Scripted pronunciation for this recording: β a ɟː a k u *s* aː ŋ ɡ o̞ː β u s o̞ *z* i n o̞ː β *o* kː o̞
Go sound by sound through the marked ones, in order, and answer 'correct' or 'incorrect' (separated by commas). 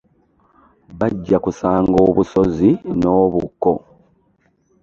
correct, correct, incorrect